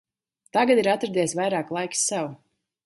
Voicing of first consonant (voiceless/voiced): voiceless